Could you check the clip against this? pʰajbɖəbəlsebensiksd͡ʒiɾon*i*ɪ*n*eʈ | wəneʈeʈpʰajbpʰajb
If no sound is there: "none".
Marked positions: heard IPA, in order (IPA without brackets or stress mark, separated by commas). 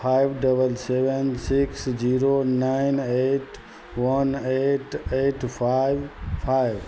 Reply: a, n